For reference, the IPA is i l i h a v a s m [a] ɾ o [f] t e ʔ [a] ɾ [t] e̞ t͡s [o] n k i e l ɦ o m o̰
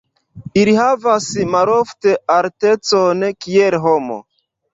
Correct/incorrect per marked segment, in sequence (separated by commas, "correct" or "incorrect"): correct, correct, correct, correct, correct